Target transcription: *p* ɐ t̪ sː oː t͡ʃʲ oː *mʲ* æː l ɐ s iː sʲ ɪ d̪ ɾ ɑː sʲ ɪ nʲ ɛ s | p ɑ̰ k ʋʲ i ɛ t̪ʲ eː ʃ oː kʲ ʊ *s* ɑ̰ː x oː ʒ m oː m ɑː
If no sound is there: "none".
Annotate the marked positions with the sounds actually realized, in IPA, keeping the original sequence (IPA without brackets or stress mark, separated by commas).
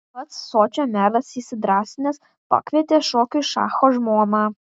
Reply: p, mʲ, ʃ